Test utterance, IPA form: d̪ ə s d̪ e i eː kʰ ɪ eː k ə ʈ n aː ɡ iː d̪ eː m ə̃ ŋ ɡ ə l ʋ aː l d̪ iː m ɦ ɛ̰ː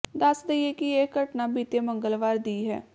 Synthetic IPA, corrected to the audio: d̪ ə s d̪ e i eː k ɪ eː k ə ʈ n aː b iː t̪ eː m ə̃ ŋ ɡ ə l ʋ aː ɾ d̪ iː ɦ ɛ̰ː